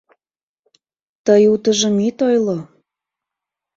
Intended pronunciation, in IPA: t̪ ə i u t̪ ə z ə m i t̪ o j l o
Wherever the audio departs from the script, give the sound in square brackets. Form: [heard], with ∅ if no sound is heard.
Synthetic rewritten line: t̪ ə [j] u t̪ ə [ʒ] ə m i t̪ o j l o